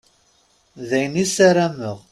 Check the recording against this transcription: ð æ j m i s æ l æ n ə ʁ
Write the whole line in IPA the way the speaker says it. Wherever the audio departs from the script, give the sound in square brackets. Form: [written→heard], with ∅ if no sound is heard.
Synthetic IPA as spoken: ð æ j [m→n] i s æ [l→ɾ] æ [n→m] ə ʁ